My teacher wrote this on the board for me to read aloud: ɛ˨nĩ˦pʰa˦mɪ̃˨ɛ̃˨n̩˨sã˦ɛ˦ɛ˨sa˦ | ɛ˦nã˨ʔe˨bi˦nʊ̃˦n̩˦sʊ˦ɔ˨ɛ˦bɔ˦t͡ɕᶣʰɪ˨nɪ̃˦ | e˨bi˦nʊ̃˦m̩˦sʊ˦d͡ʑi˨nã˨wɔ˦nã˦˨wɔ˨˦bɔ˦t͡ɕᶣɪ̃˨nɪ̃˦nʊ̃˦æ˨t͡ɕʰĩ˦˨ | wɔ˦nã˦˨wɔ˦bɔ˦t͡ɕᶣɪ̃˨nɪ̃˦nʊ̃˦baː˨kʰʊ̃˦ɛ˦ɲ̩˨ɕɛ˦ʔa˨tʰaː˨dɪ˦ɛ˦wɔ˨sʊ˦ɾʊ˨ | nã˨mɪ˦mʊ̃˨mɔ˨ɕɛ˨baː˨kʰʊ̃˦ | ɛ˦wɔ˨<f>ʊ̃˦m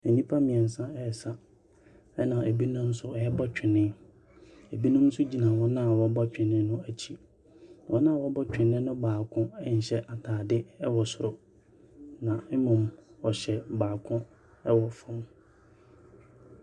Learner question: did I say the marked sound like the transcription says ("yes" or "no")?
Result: yes